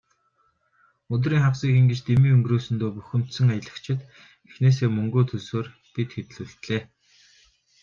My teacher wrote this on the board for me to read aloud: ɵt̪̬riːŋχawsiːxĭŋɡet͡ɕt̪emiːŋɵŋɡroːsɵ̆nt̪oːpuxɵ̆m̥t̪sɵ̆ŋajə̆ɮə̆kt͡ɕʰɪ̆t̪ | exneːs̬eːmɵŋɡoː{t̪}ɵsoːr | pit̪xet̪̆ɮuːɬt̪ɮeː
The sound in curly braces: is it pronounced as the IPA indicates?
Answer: no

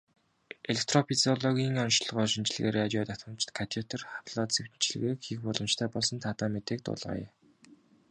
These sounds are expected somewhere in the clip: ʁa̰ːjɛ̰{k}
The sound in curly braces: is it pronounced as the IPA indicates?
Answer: no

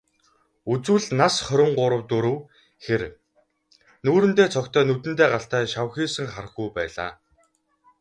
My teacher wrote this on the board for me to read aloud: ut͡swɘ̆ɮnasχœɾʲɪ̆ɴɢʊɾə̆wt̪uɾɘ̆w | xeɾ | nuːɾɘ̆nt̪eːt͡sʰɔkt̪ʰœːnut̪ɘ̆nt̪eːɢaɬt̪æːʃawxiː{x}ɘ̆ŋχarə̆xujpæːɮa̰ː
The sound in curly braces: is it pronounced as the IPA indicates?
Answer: no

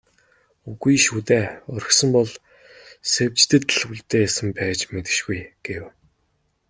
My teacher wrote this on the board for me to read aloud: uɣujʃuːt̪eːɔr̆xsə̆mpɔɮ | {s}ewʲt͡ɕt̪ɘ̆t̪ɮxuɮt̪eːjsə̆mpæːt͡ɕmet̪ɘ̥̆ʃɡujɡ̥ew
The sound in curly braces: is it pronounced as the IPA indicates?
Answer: yes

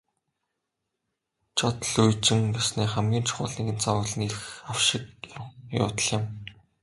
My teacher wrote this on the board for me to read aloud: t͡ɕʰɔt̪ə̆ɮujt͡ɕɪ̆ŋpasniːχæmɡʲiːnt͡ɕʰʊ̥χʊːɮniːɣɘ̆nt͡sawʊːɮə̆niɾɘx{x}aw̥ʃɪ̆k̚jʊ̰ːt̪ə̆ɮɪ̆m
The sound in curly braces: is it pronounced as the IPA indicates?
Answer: yes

